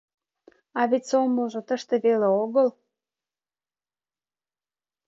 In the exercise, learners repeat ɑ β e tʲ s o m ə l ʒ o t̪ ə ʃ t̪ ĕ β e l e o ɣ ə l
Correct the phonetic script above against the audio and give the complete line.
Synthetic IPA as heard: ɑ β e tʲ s o m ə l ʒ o t̪ ə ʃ t̪ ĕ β e l e o ɣ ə l

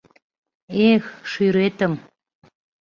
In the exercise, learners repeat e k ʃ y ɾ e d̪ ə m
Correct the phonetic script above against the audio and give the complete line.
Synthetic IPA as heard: e x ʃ y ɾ e t̪ ə m

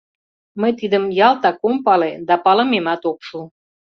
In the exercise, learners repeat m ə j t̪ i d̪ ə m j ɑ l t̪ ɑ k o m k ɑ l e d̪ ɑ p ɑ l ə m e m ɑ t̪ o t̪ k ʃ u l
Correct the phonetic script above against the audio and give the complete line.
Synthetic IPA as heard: m ə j t̪ i d̪ ə m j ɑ l t̪ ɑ k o m p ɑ l e d̪ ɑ p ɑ l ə m e m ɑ t̪ o k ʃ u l

